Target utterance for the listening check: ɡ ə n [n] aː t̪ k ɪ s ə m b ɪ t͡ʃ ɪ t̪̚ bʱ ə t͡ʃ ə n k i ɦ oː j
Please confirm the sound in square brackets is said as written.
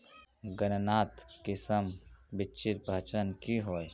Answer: yes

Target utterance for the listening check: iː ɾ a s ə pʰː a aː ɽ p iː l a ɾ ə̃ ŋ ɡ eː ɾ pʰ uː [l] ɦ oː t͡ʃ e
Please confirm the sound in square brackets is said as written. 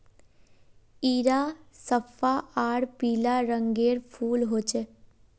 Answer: yes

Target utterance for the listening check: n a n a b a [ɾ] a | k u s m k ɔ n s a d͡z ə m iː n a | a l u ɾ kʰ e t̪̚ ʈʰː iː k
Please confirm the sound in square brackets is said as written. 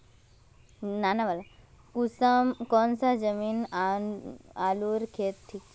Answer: no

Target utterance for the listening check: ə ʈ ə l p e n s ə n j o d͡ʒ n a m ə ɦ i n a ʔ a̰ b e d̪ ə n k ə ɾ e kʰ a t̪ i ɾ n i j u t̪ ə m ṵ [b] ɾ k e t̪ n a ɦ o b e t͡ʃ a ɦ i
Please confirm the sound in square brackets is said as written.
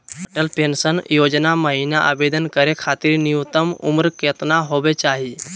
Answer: no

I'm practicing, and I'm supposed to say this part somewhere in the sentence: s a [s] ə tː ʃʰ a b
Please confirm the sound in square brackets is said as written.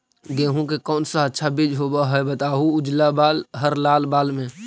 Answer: no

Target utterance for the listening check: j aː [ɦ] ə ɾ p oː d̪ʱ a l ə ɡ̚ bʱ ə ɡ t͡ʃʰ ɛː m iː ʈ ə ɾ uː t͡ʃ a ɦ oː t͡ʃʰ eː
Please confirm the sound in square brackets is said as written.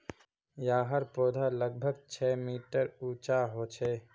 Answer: yes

